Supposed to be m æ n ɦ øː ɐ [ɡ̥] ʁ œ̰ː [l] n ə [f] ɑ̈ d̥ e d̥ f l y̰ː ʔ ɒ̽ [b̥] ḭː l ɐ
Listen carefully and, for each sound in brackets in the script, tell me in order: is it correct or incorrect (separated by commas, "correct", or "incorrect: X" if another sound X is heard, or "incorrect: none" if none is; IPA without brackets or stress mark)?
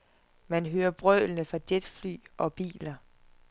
incorrect: b̥, correct, correct, correct